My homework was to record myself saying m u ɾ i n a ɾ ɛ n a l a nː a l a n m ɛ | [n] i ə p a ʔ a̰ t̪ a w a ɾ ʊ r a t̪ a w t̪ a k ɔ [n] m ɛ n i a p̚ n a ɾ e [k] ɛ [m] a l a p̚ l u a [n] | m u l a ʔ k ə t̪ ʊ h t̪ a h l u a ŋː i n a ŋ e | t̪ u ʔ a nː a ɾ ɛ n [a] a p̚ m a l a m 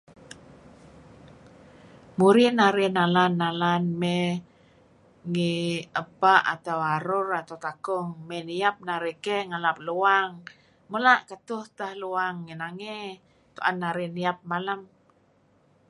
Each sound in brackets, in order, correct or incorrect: incorrect: ŋ, incorrect: ŋ, correct, incorrect: ŋ, incorrect: ŋ, incorrect: i

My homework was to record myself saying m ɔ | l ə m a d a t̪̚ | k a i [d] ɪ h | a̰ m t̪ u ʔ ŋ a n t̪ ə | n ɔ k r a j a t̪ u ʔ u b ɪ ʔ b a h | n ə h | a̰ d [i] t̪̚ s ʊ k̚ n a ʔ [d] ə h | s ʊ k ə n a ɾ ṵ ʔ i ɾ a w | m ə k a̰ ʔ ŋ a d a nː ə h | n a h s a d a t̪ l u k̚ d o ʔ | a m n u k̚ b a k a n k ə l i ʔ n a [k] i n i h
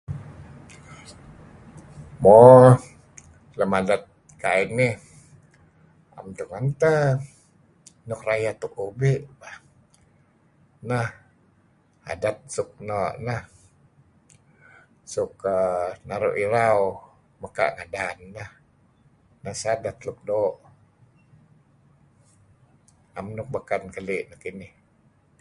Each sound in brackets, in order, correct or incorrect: incorrect: n, incorrect: a, incorrect: n, correct

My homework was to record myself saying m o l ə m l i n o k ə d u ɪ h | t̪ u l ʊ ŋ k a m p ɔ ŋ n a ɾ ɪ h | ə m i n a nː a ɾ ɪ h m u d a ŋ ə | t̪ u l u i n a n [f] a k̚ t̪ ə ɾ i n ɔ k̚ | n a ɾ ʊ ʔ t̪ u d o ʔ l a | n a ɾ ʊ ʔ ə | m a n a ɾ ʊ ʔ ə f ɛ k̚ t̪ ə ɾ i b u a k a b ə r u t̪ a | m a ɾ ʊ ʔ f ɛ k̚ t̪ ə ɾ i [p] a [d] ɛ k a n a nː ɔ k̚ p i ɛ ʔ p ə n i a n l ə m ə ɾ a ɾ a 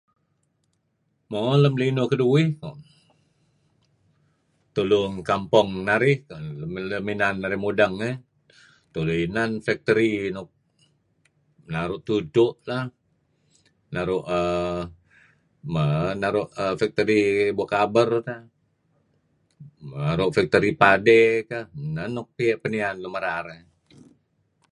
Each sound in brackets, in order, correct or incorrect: correct, correct, correct

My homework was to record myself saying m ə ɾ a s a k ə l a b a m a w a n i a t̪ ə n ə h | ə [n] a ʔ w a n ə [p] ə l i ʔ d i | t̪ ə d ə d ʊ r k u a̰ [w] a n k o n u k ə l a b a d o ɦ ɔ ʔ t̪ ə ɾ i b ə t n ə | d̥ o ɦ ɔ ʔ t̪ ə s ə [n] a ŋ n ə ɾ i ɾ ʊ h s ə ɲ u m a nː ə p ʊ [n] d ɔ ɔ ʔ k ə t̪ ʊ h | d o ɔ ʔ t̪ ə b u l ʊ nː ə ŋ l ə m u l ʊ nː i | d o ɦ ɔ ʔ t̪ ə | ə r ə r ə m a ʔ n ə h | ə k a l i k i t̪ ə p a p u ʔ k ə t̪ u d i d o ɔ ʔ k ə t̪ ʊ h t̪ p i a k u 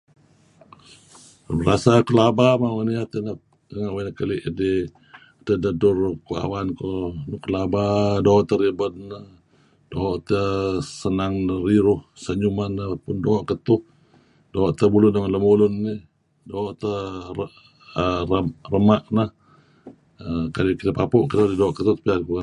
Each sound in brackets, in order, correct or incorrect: incorrect: ŋ, incorrect: k, correct, correct, correct

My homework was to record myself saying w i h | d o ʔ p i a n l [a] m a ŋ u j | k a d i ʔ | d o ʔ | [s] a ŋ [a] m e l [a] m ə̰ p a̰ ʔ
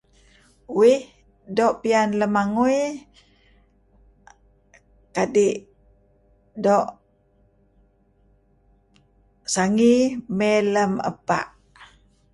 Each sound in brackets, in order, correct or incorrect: incorrect: ə, correct, incorrect: i, incorrect: ə

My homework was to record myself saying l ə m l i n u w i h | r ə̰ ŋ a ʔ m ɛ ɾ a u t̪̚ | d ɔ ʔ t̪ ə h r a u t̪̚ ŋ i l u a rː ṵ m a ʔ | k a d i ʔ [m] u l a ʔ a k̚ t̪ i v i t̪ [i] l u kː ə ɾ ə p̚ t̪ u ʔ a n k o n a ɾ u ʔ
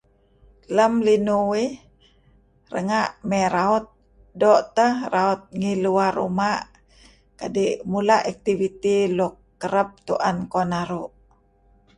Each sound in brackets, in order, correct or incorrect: correct, correct

